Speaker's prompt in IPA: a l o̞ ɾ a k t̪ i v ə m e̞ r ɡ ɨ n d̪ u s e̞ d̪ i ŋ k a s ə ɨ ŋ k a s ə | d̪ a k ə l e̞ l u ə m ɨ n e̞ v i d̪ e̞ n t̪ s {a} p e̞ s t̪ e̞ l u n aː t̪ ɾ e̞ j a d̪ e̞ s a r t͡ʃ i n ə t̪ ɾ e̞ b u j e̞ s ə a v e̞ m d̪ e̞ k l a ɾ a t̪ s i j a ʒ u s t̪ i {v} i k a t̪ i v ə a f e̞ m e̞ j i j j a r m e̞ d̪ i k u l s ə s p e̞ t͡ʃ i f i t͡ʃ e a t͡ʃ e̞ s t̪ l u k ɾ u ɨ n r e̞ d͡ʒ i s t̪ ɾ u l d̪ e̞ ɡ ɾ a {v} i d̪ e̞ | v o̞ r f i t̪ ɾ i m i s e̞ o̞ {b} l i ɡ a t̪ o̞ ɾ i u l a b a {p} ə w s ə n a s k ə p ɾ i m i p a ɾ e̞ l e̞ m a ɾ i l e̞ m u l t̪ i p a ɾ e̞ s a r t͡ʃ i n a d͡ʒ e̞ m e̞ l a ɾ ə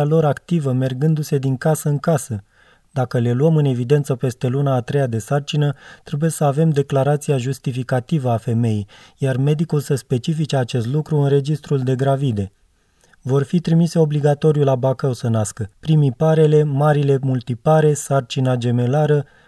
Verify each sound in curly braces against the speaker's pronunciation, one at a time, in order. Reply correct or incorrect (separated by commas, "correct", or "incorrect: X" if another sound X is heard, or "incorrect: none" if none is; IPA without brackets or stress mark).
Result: incorrect: ə, incorrect: f, correct, correct, incorrect: k